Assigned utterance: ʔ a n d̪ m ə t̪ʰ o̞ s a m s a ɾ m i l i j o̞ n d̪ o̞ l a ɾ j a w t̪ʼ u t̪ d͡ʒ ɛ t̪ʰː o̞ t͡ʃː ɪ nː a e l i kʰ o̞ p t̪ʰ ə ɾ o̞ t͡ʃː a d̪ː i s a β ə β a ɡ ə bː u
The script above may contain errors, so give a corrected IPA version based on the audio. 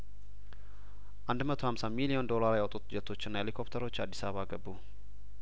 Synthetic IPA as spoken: ʔ a n d̪ m ə t̪ʰ o̞ h a m s a m i l i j o̞ n d̪ o̞ l a ɾ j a w t̪ʼ u t̪ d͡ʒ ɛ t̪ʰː o̞ t͡ʃː ɪ nː a e l i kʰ o̞ p t̪ʰ ə ɾ o̞ t͡ʃː a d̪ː i s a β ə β a ɡ ə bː u